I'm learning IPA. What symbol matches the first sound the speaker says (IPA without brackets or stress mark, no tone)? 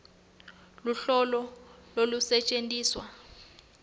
l